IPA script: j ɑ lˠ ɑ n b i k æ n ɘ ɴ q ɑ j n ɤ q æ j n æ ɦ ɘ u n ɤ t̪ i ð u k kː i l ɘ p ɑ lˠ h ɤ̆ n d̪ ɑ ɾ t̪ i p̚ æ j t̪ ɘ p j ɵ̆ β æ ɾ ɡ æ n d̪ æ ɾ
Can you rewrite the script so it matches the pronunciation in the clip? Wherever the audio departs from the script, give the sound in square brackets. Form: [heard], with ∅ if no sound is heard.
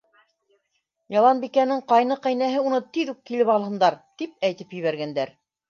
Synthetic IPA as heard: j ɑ lˠ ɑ n b i k æ n ɘ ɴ q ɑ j n ɤ q æ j n æ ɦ ɘ u n ɤ t̪ i ð u k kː i l ɘ p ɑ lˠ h ɤ̆ n d̪ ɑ ɾ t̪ i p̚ æ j t̪ ɘ p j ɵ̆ β æ ɾ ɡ æ n d̪ æ ɾ